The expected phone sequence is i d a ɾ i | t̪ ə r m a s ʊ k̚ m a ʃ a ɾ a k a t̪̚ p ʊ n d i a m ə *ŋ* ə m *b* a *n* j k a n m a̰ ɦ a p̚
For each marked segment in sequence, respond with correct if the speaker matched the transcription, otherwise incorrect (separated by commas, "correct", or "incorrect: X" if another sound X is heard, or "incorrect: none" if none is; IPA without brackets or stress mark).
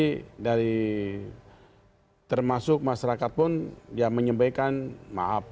incorrect: ɲ, correct, incorrect: none